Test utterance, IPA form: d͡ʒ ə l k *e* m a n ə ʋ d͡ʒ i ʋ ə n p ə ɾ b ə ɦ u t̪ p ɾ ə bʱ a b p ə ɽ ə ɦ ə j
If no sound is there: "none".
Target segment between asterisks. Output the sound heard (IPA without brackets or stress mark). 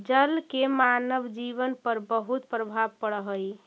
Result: e